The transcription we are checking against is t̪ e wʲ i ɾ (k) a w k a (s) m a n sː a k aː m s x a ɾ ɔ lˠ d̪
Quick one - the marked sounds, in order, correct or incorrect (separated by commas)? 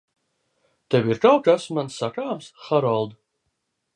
correct, correct